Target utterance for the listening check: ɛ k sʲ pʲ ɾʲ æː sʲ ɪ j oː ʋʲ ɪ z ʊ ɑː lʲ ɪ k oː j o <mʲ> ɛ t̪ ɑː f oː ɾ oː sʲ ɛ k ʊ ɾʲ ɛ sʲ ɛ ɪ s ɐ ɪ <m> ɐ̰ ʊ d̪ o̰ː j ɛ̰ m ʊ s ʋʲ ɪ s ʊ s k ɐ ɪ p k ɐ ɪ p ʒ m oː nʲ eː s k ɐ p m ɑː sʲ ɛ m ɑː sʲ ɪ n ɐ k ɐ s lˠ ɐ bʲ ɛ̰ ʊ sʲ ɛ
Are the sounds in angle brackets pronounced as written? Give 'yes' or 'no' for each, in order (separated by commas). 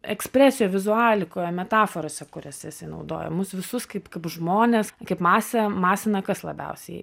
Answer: yes, no